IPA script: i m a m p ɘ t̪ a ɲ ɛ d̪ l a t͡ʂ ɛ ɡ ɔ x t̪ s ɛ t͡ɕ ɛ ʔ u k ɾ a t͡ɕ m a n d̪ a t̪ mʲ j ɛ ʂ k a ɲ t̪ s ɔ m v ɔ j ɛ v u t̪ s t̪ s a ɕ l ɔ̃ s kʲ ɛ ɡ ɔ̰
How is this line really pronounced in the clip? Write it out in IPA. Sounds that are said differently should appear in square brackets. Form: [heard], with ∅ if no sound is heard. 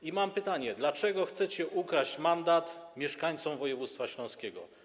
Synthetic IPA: i m a m p ɘ t̪ a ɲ ɛ d̪ l a t͡ʂ ɛ ɡ ɔ x t̪ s ɛ t͡ɕ ɛ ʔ u k ɾ a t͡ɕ m a n d̪ a t̪ mʲ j ɛ ʂ k a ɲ t̪ s ɔ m v ɔ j ɛ v u t̪ s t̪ [f] a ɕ l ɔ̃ s kʲ ɛ ɡ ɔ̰

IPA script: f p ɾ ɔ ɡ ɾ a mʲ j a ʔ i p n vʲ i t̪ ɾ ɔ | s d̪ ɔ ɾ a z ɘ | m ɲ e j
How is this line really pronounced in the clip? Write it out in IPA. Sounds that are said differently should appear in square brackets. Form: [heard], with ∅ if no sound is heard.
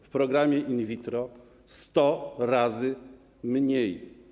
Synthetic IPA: f p ɾ ɔ ɡ ɾ a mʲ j [ɛ] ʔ i [∅] n vʲ i t̪ ɾ ɔ | s [t̪] ɔ ɾ a z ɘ | m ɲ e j

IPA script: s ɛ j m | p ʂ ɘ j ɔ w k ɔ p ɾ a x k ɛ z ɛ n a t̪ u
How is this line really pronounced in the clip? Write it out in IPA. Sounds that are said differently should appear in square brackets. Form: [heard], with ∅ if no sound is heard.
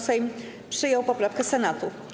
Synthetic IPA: s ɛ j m | p ʂ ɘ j ɔ w [p] ɔ p ɾ a [f] k ɛ [s] ɛ n a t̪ u

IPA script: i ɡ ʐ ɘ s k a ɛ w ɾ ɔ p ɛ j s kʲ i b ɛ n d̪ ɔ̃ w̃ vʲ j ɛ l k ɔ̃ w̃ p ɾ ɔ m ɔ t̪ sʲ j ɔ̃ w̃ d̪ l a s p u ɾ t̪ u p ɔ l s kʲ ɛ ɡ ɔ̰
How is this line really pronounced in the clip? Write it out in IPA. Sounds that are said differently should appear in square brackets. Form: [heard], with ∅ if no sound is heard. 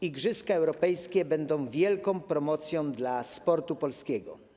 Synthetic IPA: i ɡ ʐ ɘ s k a ɛ w ɾ ɔ p ɛ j s kʲ [ɛ] b ɛ n d̪ ɔ̃ w̃ vʲ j ɛ l k ɔ̃ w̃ p ɾ ɔ m ɔ t̪ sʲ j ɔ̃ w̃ d̪ l a s p [ɔ] ɾ t̪ u p ɔ l s kʲ ɛ ɡ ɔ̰

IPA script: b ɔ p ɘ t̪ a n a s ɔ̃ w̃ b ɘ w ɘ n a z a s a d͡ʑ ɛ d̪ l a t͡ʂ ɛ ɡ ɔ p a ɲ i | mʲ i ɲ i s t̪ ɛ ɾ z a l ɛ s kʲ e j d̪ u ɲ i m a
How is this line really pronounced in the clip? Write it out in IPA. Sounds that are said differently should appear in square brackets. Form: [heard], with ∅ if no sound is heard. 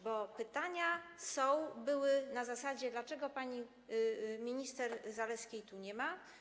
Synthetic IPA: b ɔ p ɘ t̪ a [ɲ] a s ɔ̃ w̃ b ɘ w ɘ n a z a s a d͡ʑ ɛ d̪ l a t͡ʂ ɛ ɡ ɔ p a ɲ i | mʲ i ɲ i s t̪ ɛ ɾ z a l ɛ s kʲ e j [t̪] u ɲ [ɛ] m a

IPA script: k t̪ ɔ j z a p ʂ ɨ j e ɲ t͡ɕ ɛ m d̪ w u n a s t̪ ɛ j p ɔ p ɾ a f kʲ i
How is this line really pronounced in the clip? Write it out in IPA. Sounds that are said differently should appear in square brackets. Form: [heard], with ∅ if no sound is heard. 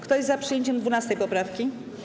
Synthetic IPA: k t̪ ɔ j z a p ʂ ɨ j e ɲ t͡ɕ ɛ m d̪ [v] u n a s t̪ ɛ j p ɔ p ɾ a f kʲ i

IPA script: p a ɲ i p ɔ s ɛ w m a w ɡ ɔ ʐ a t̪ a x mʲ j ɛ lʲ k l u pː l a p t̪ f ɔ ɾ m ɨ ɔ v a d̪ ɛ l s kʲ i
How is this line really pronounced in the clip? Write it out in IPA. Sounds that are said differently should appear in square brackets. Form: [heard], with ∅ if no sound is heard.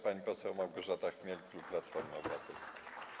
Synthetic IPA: p a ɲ i p ɔ s ɛ w m a w ɡ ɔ ʐ a t̪ a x mʲ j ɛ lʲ k l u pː l a [∅] t̪ f ɔ ɾ m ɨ ɔ [b] a [t̪] ɛ l s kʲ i

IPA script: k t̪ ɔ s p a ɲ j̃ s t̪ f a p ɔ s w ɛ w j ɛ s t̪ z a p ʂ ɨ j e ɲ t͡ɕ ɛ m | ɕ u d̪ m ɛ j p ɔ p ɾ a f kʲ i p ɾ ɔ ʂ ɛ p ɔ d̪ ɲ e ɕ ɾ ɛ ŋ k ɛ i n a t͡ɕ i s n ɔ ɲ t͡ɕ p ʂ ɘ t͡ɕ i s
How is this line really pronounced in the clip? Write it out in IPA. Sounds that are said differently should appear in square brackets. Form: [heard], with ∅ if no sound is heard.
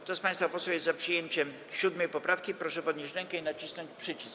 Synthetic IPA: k t̪ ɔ s p a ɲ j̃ s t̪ f a p ɔ s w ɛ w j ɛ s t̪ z a p ʂ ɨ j e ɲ t͡ɕ ɛ m | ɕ u d̪ m ɛ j p ɔ p ɾ a f kʲ i p ɾ ɔ ʂ ɛ p ɔ d̪ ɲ e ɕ ɾ ɛ ŋ k ɛ i n a t͡ɕ i s n ɔ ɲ t͡ɕ p ʂ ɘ t͡ɕ i s

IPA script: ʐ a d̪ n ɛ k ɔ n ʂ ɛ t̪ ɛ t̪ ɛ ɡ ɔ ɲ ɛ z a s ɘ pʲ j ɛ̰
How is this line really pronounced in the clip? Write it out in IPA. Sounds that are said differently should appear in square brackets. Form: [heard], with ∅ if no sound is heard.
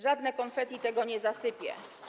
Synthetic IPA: ʐ a d̪ n ɛ k ɔ n [f] ɛ t̪ [i] t̪ ɛ ɡ ɔ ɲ ɛ z a s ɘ pʲ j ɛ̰

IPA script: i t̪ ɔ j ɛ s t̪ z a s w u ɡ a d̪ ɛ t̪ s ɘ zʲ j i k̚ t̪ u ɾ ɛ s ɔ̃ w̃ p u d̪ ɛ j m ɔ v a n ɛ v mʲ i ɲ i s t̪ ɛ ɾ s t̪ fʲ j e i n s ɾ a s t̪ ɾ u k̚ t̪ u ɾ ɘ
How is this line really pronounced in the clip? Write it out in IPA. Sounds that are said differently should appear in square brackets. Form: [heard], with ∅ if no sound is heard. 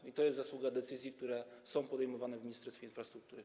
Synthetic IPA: i t̪ ɔ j ɛ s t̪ z a s w u ɡ a d̪ ɛ t̪ s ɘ zʲ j i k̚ t̪ u ɾ ɛ s ɔ̃ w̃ p [ɔ] d̪ ɛ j m ɔ v a n ɛ v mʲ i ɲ i s t̪ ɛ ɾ s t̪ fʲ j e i n [f] ɾ a s t̪ ɾ u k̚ t̪ u ɾ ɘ

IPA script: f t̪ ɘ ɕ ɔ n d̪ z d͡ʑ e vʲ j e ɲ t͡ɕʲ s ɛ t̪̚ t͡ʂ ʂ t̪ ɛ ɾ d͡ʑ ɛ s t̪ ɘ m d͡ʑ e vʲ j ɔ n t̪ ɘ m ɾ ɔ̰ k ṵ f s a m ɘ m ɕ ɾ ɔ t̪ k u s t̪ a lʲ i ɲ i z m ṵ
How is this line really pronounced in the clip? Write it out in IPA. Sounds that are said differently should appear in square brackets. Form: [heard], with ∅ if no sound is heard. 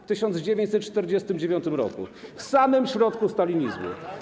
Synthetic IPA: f t̪ ɘ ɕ ɔ n d̪ z d͡ʑ e vʲ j e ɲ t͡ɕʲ s ɛ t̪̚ t͡ʂ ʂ t̪ ɛ ɾ d͡ʑ ɛ s t̪ ɘ m d͡ʑ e vʲ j ɔ n t̪ ɘ m ɾ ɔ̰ k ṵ f s a m ɘ m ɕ ɾ ɔ t̪ k u s t̪ a lʲ i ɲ i z m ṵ

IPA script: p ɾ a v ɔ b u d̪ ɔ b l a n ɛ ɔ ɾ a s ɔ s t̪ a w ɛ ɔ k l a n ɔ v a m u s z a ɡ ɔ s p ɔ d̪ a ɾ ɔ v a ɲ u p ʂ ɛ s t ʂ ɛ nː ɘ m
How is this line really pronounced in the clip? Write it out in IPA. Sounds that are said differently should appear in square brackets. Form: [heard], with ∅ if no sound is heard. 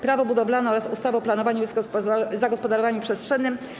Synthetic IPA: p ɾ a v ɔ b u d̪ ɔ b l a n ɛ ɔ ɾ a s [u] s t̪ a [v] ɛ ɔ [p] l a n ɔ v a [ɲ] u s z a ɡ ɔ s p ɔ d̪ a ɾ ɔ v a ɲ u p ʂ ɛ s t ʂ ɛ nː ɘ m

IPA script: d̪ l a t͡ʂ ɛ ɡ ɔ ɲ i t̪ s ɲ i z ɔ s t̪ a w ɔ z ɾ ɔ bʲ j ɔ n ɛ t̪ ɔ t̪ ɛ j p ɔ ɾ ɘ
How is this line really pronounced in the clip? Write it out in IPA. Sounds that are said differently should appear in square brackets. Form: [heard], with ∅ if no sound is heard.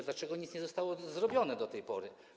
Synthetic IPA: d̪ l a t͡ʂ ɛ ɡ ɔ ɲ i t̪ s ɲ [ɛ] z ɔ s t̪ a w ɔ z ɾ ɔ bʲ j ɔ n ɛ [d̪] ɔ t̪ ɛ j p ɔ ɾ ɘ

